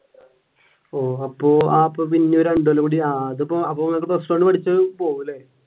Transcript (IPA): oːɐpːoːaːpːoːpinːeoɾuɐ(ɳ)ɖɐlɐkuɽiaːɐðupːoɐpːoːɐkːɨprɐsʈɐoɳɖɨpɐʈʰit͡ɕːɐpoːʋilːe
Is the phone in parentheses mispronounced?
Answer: no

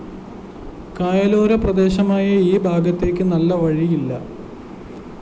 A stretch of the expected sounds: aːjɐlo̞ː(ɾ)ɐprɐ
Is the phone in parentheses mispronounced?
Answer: no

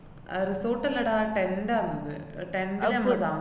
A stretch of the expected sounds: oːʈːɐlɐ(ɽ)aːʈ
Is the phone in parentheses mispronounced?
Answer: no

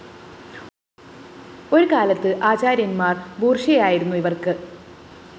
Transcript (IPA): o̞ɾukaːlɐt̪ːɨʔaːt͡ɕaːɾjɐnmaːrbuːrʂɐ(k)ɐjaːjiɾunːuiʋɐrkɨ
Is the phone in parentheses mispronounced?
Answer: yes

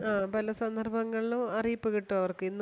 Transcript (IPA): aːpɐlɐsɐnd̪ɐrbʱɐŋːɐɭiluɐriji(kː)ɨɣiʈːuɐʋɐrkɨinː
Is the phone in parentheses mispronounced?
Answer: yes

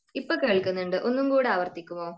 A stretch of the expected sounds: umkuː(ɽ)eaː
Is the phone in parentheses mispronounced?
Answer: no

